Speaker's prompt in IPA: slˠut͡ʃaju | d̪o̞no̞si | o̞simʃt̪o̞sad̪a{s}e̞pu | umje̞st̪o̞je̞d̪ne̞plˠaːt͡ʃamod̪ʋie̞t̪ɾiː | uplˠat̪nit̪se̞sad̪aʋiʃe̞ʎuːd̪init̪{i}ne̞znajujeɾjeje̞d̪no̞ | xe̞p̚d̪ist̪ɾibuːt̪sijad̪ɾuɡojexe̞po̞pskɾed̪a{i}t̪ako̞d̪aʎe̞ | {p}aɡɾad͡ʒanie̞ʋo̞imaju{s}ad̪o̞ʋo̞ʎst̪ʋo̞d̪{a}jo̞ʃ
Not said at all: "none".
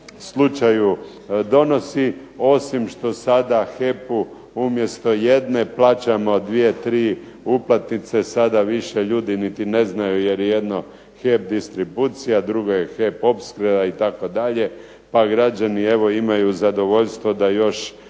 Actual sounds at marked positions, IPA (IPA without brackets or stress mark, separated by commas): x, i, i, p, z, a